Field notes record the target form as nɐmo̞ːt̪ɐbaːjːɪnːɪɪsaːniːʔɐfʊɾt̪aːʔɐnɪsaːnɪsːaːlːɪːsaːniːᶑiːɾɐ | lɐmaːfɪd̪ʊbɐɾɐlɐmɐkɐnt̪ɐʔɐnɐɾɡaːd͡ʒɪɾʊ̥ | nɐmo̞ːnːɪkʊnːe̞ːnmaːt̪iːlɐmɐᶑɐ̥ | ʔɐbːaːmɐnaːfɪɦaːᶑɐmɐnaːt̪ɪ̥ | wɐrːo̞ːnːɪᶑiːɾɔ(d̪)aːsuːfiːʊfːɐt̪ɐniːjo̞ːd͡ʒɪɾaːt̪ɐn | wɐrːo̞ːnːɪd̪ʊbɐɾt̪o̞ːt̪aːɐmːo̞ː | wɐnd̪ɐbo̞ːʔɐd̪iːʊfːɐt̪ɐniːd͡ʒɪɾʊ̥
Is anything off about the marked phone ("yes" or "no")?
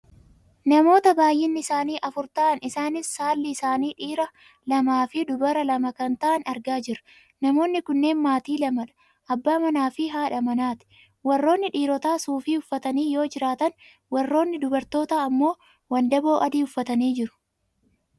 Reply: yes